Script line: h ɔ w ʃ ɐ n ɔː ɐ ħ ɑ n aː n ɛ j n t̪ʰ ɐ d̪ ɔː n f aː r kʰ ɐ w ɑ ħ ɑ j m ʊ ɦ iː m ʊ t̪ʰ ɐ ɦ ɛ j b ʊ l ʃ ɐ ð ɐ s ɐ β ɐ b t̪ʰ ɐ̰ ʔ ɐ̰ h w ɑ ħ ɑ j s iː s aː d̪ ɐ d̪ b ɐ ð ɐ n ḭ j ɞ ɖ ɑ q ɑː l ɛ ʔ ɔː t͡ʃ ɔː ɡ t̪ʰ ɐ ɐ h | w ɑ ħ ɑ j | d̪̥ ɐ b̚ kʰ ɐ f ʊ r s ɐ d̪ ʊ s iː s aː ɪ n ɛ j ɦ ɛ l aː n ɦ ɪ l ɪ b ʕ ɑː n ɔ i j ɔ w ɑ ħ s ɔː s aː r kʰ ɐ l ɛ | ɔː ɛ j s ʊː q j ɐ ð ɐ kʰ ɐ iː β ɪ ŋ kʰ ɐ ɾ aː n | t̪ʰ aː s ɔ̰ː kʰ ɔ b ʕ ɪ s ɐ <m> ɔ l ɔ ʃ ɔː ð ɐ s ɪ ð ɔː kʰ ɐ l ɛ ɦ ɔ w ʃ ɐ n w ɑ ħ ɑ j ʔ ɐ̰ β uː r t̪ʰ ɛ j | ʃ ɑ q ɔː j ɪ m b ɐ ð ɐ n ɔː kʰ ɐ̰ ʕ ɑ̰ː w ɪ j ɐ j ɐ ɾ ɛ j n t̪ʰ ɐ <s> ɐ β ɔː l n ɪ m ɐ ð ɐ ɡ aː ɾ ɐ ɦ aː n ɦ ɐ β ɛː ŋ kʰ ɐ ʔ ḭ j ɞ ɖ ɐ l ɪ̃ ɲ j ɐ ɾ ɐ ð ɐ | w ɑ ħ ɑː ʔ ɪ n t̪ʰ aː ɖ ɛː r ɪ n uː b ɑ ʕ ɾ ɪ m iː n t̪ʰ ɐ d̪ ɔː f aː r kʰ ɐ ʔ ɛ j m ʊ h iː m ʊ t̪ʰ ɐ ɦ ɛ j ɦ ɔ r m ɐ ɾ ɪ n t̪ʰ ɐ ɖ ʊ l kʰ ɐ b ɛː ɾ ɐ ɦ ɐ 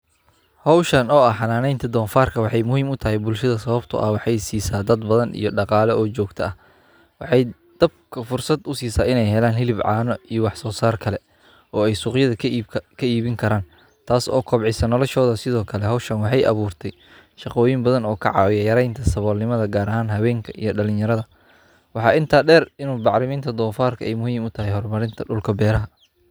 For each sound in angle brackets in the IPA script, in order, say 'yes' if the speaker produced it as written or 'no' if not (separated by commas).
no, yes